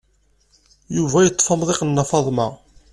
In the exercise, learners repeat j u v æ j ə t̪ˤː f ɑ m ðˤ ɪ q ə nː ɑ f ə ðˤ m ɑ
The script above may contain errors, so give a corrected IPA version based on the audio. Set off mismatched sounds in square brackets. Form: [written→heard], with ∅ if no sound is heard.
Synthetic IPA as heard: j u v æ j ə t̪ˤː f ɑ m ðˤ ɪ q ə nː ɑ f [ə→ɑ] ðˤ m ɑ

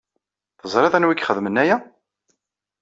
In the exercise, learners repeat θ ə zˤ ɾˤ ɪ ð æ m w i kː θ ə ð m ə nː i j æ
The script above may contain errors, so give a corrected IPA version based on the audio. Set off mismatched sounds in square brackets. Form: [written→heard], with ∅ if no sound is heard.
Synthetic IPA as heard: θ ə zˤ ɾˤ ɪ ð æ [m→n] w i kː [θ→χ] ə ð m ə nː [i→æ] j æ

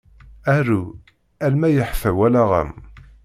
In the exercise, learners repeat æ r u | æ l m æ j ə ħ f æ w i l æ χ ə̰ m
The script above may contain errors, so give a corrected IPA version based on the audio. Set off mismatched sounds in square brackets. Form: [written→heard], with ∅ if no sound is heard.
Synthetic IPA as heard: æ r u | æ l m æ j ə ħ f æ w [i→æ] l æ [χ→ʁ] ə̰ m

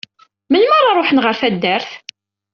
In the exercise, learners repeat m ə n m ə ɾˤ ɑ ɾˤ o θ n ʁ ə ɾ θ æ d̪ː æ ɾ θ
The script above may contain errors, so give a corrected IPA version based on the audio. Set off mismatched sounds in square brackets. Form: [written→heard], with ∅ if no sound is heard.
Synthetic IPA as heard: m ə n m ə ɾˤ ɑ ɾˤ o [θ→ħ] n ʁ ə ɾ θ æ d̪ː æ ɾ θ

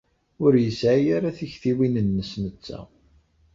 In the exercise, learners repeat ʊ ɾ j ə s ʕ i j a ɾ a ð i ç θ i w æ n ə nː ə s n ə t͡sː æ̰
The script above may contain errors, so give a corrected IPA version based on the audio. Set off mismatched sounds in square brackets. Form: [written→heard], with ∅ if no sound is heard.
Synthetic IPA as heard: ʊ ɾ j ə s ʕ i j a ɾ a [ð→θ] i ç θ i w [æ→i] n ə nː ə s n ə t͡sː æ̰

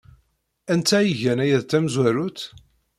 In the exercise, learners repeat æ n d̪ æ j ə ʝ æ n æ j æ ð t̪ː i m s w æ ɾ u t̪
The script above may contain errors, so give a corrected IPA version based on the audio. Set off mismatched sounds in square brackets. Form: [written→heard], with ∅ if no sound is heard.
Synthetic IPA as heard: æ n [d̪→t̪] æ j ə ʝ æ n æ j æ ð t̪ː [i→æ] m [s→z] w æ ɾ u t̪

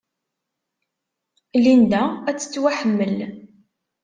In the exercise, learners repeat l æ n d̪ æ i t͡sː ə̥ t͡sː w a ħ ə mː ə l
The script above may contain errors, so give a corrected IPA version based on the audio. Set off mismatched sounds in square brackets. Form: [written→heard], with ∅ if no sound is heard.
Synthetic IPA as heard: l [æ→i] n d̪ æ [i→æ] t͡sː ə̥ t͡sː w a ħ ə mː ə l

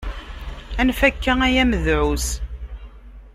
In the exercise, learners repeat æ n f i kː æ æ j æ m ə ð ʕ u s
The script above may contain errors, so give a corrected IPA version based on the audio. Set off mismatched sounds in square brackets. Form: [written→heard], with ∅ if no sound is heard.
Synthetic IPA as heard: æ n f [i→æ] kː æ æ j æ m ə ð ʕ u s

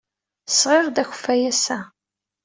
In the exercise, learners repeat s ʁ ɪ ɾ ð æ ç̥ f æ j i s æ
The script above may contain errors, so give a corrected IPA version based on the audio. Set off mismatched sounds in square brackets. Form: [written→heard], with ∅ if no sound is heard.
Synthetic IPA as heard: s ʁ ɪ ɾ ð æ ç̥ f æ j [i→æ] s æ

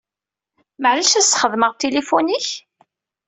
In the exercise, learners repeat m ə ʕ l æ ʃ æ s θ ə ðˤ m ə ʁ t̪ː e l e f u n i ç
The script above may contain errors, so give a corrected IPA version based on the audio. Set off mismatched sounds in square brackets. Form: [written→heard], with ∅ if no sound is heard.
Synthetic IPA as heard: m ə ʕ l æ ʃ æ s [θ→χ] ə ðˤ m ə ʁ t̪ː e l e f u n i ç

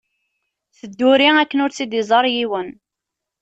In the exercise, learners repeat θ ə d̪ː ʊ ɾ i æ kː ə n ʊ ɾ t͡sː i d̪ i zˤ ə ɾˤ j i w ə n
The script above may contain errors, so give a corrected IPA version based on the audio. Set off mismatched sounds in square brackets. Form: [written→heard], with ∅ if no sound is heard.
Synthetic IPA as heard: θ ə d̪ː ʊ ɾ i æ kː ə n ʊ ɾ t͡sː i d̪ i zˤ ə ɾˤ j i w ə n

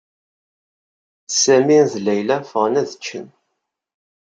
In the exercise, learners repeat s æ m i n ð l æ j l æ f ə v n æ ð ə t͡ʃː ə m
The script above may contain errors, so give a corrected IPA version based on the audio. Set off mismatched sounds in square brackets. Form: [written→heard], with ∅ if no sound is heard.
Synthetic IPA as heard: s æ m i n ð l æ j l æ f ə [v→ʁ] n æ ð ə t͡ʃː ə [m→n]

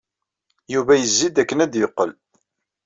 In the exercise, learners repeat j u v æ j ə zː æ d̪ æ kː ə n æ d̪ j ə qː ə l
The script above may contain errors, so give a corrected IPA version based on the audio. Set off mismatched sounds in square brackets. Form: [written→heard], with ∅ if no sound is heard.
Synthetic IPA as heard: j u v æ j ə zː [æ→i] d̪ æ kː ə n æ d̪ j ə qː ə l

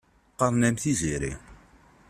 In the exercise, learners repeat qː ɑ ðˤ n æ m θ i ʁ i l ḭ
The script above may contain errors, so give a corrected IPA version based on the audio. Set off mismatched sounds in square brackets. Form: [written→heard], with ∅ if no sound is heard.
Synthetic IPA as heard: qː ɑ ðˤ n æ m θ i [ʁ→z] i [l→ɾ] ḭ

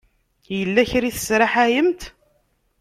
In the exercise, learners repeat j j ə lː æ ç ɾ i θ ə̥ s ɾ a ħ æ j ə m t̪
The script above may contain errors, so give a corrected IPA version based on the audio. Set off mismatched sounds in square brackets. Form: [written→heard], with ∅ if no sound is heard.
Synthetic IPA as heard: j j ə lː æ ç ɾ i θ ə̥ s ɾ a ħ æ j ə m t̪

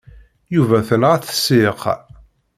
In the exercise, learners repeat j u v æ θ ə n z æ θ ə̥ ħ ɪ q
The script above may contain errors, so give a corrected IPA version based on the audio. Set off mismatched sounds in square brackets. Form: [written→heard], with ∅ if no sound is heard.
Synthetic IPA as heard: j u v æ θ ə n [z→ʁ] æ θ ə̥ [ħ→s] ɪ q

